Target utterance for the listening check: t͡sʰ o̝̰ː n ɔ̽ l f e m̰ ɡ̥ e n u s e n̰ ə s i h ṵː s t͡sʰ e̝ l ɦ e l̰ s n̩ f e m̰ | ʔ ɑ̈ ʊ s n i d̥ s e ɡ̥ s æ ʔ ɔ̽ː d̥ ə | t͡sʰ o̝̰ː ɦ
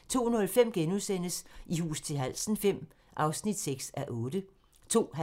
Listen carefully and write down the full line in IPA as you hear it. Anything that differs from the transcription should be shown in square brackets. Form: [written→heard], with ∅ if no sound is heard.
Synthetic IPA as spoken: t͡sʰ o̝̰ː n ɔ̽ l f e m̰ ɡ̥ e n u s e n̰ ə s i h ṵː s t͡sʰ e̝ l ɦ [e→æ] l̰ s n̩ f e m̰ | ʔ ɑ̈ ʊ s n i d̥ s e ɡ̥ s æ ʔ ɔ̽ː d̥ ə | t͡sʰ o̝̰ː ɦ